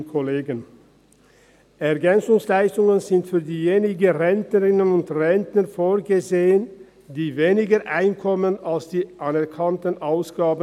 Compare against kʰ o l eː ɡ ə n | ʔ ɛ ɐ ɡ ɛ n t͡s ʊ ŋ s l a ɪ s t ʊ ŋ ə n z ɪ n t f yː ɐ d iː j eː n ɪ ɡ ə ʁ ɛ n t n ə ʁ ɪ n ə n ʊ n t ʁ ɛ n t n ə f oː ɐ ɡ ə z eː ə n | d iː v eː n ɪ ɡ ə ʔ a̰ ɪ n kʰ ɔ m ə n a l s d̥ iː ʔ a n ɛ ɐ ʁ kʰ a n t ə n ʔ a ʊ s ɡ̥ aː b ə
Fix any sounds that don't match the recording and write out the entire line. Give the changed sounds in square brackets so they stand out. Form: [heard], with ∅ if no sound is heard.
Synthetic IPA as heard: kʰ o l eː ɡ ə n | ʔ ɛ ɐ ɡ ɛ n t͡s ʊ ŋ s l a ɪ s t ʊ ŋ ə n z ɪ n t f yː ɐ d iː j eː n ɪ ɡ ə ʁ ɛ n t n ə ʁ ɪ n ə n ʊ n t ʁ ɛ n t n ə f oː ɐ ɡ ə z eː ə n | d iː v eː n ɪ ɡ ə ʔ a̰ ɪ n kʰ ɔ m ə n a l s d̥ iː ʔ a n ɛ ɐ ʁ kʰ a n t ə n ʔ a ʊ s ɡ̥ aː b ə